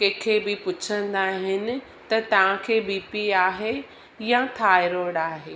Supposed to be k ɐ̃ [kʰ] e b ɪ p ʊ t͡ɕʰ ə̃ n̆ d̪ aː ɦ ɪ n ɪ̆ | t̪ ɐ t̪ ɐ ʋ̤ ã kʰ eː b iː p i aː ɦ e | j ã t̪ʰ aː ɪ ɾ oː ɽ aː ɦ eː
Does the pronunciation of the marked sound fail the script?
no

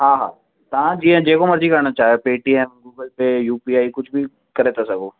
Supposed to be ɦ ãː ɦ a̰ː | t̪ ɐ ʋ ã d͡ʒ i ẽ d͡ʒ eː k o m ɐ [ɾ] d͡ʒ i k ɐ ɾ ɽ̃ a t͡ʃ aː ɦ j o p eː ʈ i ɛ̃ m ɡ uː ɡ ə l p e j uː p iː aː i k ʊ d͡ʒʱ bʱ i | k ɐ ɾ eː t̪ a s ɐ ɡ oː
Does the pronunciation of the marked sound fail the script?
no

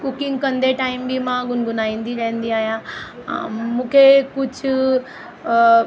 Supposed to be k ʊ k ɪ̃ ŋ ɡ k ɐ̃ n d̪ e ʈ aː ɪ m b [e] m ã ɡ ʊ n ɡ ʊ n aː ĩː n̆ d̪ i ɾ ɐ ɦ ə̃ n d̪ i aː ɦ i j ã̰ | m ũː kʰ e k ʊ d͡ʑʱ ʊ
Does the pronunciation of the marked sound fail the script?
yes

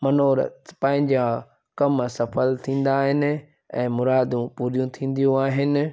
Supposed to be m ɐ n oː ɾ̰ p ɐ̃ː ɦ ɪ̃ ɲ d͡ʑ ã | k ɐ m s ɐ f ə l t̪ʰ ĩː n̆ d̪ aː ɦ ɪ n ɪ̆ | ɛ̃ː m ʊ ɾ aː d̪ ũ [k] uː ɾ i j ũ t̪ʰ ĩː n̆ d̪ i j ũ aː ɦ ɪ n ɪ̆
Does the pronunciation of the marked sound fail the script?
yes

